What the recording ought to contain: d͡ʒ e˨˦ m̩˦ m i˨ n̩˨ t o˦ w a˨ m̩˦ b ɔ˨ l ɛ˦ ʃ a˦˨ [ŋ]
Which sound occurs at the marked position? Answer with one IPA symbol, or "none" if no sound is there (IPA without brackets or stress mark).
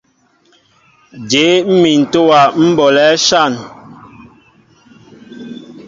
n